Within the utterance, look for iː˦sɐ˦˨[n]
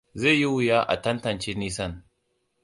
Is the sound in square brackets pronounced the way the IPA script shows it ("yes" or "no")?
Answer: yes